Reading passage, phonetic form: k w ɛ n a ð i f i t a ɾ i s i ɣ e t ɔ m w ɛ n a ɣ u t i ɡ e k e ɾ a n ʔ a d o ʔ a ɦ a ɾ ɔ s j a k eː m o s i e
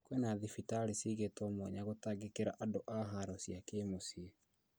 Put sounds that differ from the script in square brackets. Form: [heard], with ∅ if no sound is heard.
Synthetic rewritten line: k w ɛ n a ð i f i t a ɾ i s i ɣ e t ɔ m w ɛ [ɲ] a ɣ [o] t [a] ɡ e k e ɾ a [∅] ʔ a d o ʔ a ɦ a ɾ ɔ s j a k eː m o s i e

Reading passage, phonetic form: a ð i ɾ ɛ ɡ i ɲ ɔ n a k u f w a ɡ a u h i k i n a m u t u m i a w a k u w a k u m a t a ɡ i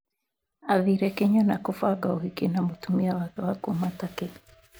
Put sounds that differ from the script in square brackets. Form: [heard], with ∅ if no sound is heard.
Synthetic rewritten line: a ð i ɾ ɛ [k] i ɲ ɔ n a k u f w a ɡ a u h i k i n a m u t u m i a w a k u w a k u m a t a [k] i

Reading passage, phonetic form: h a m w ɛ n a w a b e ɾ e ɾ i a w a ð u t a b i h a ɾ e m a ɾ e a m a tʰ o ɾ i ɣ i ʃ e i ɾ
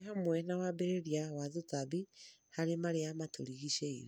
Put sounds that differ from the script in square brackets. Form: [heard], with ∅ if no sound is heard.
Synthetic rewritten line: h a m w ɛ n a w a b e ɾ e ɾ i a w a ð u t a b i h a ɾ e m a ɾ e a m a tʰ o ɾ i ɣ i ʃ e i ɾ

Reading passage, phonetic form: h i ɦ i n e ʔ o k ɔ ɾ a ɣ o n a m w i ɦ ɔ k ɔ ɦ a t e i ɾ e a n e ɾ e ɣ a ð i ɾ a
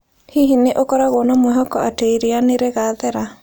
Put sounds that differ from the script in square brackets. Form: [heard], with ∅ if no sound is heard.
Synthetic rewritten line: h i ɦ i n e ʔ o k ɔ ɾ a ɣ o n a m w [ɛ] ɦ ɔ k ɔ [∅] a t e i ɾ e a n e ɾ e ɣ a ð [ɛ] ɾ a

